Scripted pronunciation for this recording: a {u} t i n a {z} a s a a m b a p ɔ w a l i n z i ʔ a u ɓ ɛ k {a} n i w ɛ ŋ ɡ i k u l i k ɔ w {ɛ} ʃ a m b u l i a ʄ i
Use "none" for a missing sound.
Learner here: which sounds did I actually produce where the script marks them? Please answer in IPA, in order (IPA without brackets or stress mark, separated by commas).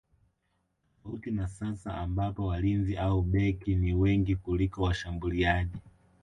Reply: u, s, i, a